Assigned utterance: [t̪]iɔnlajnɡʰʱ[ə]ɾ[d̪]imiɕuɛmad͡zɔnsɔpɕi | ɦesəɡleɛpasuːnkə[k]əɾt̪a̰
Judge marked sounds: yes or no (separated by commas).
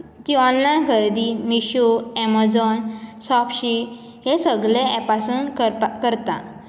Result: yes, yes, yes, yes